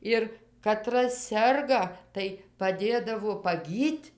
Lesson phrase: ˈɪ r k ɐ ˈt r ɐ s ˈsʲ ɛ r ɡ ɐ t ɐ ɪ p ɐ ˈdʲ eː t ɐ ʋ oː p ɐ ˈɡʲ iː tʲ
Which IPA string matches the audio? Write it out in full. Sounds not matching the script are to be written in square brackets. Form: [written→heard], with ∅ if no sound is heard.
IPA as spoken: ˈɪ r k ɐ ˈt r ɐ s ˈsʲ ɛ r ɡ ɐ t ɐ ɪ p ɐ ˈdʲ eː [t→d] ɐ ʋ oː p ɐ ˈɡʲ iː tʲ